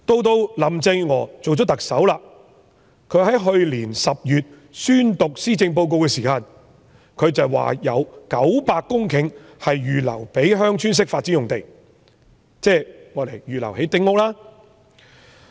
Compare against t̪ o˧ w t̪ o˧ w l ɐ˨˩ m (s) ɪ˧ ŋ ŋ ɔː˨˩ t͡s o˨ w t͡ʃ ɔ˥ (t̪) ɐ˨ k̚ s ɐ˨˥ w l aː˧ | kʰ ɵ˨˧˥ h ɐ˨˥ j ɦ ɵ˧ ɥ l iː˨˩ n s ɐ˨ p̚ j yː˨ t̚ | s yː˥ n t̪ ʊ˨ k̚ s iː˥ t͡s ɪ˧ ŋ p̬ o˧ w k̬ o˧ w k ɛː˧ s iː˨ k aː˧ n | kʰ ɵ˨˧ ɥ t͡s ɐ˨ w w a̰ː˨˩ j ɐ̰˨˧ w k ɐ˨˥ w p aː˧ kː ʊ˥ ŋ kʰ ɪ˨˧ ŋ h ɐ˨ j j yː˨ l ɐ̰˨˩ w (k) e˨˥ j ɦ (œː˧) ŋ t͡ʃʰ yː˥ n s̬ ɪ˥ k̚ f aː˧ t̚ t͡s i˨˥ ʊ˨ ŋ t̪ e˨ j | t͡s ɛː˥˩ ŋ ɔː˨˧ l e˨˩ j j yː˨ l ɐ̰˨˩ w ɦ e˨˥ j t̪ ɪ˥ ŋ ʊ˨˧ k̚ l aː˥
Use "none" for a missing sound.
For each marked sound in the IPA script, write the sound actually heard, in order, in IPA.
t͡s, t̪, p, œː˥

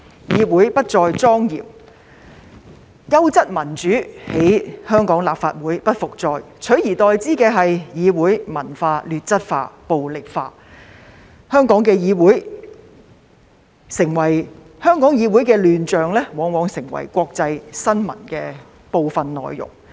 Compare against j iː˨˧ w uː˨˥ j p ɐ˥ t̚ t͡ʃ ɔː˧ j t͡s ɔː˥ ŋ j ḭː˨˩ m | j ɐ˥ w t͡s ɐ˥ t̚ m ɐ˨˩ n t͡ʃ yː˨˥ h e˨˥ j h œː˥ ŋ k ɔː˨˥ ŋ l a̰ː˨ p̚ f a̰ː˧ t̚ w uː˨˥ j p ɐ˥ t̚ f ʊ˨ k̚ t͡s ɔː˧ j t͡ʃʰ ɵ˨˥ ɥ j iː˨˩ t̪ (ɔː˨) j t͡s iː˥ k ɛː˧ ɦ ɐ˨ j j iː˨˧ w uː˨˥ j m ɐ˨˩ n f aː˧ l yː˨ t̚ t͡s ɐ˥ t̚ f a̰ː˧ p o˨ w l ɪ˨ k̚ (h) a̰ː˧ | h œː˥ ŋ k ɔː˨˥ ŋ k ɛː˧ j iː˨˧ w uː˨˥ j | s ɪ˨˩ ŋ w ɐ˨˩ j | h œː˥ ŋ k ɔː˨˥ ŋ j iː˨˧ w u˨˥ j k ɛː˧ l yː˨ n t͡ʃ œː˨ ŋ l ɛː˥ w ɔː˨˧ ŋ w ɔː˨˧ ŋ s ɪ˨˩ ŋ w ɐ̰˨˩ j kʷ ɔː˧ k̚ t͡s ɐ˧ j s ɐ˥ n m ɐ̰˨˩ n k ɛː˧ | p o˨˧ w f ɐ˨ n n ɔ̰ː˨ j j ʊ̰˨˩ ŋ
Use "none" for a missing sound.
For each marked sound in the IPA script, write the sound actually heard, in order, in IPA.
ɔː˨, f

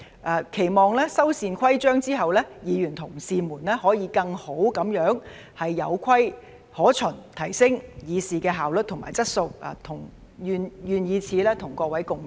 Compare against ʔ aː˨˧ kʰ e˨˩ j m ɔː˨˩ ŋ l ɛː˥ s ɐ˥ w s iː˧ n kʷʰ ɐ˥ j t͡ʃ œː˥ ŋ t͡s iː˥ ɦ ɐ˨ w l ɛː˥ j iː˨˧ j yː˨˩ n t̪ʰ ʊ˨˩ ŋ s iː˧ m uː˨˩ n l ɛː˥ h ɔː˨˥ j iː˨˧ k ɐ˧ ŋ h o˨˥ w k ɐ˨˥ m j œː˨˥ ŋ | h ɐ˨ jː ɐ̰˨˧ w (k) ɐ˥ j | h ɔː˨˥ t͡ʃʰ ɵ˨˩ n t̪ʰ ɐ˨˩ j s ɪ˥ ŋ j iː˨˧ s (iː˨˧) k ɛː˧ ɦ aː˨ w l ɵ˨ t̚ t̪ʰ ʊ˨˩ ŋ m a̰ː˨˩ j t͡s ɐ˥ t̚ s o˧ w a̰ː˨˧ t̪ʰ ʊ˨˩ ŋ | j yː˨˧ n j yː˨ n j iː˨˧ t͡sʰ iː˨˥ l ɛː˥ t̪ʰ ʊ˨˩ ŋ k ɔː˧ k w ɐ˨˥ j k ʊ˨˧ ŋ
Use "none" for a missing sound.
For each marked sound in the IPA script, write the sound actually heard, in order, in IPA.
kʰ, iː˨˧

